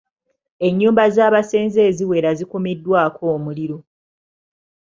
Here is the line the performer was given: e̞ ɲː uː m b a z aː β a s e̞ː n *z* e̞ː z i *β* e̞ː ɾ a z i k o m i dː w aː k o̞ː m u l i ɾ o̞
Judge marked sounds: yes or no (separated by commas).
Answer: yes, no